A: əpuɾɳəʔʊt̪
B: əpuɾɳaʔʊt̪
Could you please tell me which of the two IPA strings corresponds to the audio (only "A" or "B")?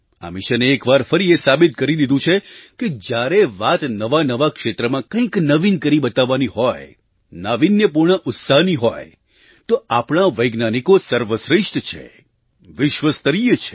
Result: A